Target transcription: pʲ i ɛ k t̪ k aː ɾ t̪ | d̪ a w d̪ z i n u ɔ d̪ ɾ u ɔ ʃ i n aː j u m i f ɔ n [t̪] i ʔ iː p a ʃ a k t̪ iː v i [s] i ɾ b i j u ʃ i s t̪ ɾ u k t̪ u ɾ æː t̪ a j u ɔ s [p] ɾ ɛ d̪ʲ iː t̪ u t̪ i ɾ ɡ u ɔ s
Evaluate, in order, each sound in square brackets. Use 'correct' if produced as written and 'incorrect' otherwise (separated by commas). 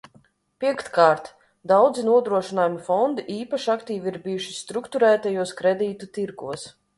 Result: incorrect, incorrect, incorrect